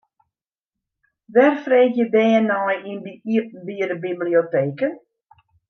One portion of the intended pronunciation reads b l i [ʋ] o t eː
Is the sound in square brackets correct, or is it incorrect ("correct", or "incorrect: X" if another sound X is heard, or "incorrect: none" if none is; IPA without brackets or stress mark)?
incorrect: none